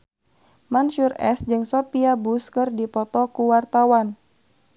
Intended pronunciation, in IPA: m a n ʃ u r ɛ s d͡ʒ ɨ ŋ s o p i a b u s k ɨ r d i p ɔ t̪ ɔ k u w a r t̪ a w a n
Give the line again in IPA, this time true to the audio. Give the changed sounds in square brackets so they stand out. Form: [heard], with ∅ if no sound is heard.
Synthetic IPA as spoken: m a n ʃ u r ɛ s d͡ʒ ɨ ŋ s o p i a b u s k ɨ r d i p ɔ t̪ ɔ k u w a r t̪ a w a n